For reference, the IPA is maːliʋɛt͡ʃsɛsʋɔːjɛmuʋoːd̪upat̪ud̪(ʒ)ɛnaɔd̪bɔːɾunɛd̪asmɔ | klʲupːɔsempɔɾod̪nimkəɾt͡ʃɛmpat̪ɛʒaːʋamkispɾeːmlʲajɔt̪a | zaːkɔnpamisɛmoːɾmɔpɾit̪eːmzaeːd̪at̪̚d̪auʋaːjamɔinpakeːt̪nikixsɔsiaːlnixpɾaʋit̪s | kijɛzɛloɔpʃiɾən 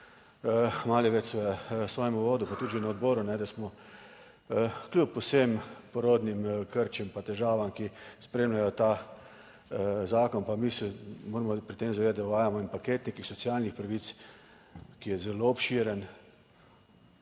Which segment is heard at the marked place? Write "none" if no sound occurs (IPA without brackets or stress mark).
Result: ʒ